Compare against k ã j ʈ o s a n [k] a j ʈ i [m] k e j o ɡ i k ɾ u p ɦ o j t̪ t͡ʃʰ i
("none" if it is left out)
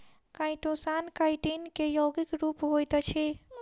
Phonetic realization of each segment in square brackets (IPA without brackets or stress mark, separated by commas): k, n